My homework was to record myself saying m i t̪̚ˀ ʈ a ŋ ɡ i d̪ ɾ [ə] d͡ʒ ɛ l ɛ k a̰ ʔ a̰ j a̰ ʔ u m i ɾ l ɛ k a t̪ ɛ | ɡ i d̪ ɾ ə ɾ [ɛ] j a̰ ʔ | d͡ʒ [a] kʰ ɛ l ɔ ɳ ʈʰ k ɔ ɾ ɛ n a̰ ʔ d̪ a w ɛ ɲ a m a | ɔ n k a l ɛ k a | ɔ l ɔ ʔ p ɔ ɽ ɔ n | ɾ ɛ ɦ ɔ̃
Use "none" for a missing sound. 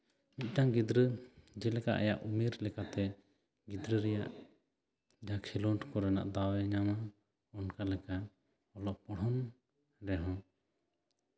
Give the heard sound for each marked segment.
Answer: ə, ɛ, a

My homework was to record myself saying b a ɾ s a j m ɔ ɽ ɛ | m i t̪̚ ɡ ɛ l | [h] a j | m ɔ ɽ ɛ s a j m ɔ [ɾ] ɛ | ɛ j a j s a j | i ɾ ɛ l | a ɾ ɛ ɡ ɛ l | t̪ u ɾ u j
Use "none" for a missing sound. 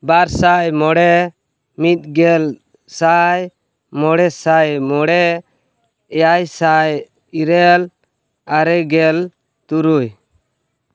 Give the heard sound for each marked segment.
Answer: s, ɽ

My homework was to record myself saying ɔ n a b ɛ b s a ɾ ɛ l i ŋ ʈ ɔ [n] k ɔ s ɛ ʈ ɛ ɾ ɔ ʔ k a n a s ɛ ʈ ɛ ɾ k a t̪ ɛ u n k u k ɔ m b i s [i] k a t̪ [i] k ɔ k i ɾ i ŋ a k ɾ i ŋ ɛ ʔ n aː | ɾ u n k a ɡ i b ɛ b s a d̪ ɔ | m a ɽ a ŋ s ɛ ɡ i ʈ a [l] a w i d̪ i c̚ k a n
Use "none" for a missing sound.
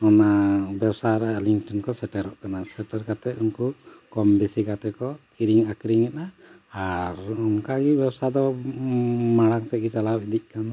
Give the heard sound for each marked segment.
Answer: n, i, ɛ, l

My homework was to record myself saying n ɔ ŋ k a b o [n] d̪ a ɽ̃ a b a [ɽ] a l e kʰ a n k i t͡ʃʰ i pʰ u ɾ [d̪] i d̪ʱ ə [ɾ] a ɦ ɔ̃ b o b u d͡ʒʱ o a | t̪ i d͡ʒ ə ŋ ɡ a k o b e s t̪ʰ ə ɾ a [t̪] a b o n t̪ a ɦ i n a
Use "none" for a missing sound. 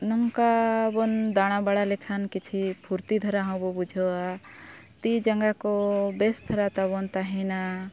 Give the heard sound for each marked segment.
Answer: n, ɽ, t̪, ɾ, t̪

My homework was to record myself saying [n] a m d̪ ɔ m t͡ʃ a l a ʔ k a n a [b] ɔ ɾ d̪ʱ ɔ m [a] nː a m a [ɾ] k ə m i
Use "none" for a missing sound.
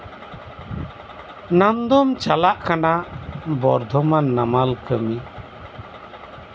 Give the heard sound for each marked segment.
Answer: n, b, a, l

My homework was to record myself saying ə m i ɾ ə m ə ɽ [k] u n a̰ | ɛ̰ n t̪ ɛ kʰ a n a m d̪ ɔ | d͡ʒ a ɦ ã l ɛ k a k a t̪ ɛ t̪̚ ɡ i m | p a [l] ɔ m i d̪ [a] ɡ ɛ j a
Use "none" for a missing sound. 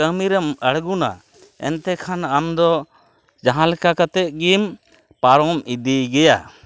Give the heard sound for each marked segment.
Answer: ɡ, ɾ, i

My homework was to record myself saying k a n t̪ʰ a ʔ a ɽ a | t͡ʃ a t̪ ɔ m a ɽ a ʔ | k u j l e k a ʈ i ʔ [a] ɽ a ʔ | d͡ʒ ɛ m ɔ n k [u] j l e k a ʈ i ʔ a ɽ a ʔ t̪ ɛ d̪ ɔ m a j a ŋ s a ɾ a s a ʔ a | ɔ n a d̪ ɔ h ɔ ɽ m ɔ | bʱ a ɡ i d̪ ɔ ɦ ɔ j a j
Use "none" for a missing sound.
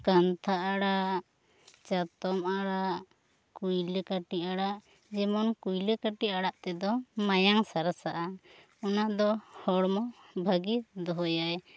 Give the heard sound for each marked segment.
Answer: a, u

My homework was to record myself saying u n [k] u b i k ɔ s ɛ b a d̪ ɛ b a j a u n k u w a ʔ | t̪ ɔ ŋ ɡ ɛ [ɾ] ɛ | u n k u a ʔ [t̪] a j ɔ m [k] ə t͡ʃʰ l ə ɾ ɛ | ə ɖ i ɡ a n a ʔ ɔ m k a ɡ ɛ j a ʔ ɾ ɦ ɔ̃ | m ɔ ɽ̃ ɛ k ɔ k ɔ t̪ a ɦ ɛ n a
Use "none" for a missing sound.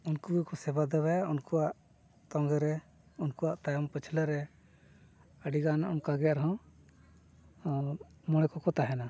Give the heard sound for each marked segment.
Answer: k, ɾ, t̪, p

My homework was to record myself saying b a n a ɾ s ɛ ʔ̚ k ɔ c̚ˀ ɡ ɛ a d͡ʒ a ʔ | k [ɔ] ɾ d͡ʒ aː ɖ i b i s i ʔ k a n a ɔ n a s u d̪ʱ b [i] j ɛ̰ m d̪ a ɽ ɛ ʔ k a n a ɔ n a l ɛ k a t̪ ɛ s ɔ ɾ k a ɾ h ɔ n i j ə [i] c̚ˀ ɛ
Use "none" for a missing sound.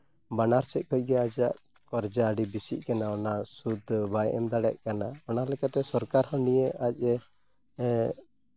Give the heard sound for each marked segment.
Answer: ɔ, a, a

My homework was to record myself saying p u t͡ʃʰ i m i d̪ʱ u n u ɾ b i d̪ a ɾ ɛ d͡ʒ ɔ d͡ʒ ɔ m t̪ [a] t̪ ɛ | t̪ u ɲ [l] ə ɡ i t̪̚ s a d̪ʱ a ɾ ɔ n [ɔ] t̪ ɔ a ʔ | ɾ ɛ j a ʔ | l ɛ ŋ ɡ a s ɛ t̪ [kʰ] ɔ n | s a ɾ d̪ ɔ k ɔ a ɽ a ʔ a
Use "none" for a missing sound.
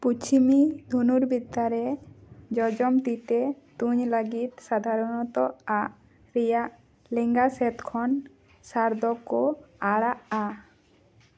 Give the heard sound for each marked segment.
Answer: i, l, ɔ, kʰ

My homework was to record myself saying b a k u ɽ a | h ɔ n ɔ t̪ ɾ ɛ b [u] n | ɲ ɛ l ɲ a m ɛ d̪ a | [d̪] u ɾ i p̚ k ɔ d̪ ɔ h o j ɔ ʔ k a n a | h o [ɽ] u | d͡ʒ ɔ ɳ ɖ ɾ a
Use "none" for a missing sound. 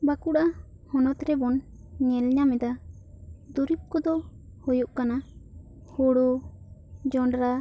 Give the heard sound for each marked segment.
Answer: ɔ, d̪, ɽ

